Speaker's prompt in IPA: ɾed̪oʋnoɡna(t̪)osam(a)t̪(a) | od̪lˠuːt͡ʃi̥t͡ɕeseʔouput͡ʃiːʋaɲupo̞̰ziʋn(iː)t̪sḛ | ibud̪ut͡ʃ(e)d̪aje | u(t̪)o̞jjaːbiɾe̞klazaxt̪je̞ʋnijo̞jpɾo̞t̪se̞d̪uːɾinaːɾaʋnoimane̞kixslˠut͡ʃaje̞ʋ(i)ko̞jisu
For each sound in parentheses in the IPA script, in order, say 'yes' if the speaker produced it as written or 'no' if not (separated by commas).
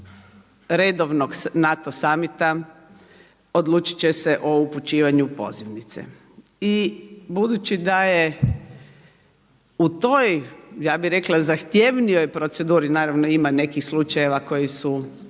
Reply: yes, no, yes, no, no, yes, no